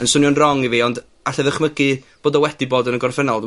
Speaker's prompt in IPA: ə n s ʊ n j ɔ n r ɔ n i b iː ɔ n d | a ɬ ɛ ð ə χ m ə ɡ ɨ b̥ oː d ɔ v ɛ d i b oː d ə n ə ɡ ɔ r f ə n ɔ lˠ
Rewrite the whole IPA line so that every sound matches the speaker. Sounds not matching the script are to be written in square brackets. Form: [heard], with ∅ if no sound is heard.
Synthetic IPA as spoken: ə n s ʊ n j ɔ n r ɔ [ŋ] i [v] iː ɔ n d | a ɬ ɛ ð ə χ m ə ɡ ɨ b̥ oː d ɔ [w] ɛ d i b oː d ə n ə ɡ ɔ r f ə n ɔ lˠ